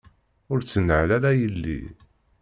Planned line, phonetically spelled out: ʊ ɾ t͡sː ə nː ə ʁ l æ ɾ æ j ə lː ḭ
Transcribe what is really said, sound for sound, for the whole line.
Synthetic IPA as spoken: ʊ ɾ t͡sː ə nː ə ʕ l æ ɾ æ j ə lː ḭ